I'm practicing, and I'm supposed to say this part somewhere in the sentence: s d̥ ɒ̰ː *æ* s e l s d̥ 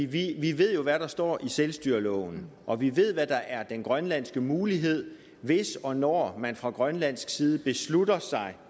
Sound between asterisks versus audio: incorrect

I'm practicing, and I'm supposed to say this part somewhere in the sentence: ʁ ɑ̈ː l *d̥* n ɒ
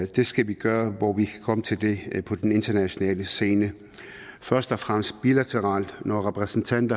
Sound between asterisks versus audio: correct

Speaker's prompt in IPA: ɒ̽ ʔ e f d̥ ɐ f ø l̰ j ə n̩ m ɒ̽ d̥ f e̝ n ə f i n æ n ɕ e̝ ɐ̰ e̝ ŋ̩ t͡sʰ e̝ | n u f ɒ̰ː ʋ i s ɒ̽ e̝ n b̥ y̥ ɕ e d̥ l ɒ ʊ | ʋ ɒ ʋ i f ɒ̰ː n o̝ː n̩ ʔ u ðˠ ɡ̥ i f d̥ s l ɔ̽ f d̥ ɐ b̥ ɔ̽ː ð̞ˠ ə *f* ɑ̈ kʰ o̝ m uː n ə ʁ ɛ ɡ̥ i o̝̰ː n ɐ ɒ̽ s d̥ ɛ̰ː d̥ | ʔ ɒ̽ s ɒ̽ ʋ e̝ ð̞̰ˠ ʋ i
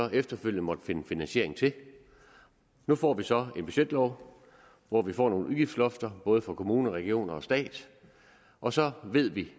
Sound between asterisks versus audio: correct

